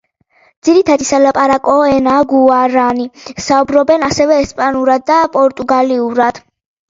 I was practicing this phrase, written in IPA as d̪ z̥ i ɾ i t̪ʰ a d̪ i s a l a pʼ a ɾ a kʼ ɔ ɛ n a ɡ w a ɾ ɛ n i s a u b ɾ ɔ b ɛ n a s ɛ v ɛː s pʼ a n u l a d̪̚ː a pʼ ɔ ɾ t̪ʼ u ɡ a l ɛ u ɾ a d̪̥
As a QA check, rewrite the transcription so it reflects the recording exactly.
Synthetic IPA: d̪ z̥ i ɾ i t̪ʰ a d̪ i s a l a pʼ a ɾ a kʼ ɔ ɛ n a ɡ u a ɾ a n i s a u b ɾ ɔ b ɛ n a s ɛ v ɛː s pʼ a n u ɾ a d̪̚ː a pʼ ɔ ɾ t̪ʼ u ɡ a l i u ɾ a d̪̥